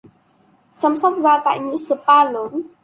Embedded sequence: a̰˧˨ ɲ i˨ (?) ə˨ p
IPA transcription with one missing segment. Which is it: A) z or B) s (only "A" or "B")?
B